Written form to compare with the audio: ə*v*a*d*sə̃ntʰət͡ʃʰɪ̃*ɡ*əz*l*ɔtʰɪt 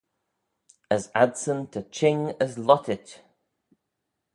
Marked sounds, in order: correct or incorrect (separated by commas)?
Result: incorrect, correct, incorrect, correct